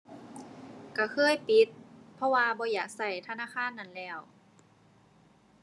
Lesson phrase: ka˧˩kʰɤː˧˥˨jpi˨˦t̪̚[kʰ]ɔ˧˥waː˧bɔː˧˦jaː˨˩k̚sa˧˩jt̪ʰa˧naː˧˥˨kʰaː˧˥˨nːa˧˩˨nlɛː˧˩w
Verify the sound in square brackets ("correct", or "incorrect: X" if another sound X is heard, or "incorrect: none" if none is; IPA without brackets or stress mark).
incorrect: pʰ